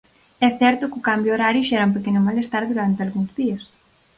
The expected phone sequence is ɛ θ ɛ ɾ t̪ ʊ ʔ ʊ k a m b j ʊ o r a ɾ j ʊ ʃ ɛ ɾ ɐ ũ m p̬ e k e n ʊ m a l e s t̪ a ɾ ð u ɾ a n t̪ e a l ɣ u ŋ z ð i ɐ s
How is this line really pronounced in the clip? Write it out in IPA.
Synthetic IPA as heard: ɛ θ ɛ ɾ t̪ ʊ k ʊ k a m b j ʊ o ɾ a ɾ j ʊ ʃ ɛ ɾ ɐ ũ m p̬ e k e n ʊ m a l e s t̪ a ɾ ð u ɾ a n t̪ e a l ɣ u ŋ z ð i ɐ s